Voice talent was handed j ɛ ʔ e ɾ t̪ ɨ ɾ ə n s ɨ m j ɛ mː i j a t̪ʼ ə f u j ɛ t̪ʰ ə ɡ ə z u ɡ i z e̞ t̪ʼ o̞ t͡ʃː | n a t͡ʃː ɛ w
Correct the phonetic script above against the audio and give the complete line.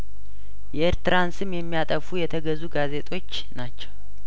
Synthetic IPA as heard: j ɛ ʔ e ɾ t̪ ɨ ɾ a n s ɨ m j ɛ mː i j a t̪ʼ ə f u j ɛ t̪ʰ ə ɡ ə z u ɡ a z e̞ t̪ʼ o̞ t͡ʃː | n a t͡ʃː ɛ w